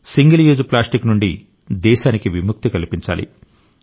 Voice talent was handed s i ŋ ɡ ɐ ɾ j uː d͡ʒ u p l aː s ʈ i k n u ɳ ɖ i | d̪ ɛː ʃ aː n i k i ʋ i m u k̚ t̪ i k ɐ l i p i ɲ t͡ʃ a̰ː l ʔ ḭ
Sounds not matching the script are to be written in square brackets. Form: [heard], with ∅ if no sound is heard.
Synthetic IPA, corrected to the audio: s i ŋ ɡ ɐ [l] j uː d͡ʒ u p l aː s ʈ i k n u ɳ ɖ i | d̪ ɛː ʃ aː n i k i ʋ i m u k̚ t̪ i k ɐ l i p i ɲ t͡ʃ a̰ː l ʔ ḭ

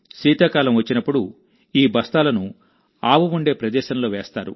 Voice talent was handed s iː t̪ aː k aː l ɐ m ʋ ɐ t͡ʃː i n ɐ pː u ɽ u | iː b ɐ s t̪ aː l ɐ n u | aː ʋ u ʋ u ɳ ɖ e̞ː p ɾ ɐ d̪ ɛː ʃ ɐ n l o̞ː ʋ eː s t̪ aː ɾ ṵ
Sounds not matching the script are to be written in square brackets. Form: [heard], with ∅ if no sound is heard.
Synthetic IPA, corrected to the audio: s iː t̪ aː k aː l ɐ m ʋ ɐ t͡ʃː i n ɐ pː u ɽ u | iː b ɐ s t̪ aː l ɐ n u | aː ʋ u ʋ u ɳ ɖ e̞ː p ɾ ɐ d̪ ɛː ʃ ɐ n l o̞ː ʋ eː s t̪ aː ɾ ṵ

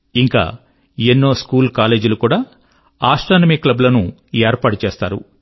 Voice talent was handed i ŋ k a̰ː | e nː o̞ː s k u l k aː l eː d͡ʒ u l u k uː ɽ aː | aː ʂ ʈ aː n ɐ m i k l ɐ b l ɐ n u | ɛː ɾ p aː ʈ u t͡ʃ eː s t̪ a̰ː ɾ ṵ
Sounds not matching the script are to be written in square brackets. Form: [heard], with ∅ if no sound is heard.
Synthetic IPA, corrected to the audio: i ŋ k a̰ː | e nː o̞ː s k [uː] l k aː l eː d͡ʒ u l u k uː ɽ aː | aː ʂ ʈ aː n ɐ m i k l ɐ b l ɐ n u | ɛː ɾ p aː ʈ u t͡ʃ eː s t̪ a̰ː ɾ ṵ

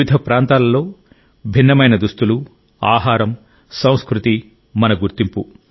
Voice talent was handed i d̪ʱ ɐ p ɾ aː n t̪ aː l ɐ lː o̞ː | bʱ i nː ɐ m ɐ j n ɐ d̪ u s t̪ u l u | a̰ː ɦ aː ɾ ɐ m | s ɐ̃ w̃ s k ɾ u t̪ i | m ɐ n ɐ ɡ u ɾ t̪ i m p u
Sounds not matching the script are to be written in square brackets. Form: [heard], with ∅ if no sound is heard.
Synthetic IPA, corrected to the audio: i d̪ʱ ɐ p ɾ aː n t̪ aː l ɐ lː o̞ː | bʱ i nː ɐ m ɐ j n ɐ d̪ u s t̪ u l u | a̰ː ɦ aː ɾ ɐ m | s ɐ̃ w̃ s k ɾ u t̪ i | m ɐ n ɐ ɡ u ɾ t̪ i m p u

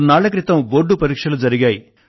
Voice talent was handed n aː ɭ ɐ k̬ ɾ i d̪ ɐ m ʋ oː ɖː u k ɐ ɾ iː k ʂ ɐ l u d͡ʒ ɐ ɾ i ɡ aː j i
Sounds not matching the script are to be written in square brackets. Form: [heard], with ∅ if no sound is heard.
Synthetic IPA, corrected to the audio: n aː ɭ ɐ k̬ ɾ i [t̪] ɐ m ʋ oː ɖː u [p] ɐ ɾ iː k ʂ ɐ l u d͡ʒ ɐ ɾ i ɡ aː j i

